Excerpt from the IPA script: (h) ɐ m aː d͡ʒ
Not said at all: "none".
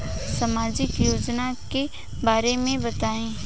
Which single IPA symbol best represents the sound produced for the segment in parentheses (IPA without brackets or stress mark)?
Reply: s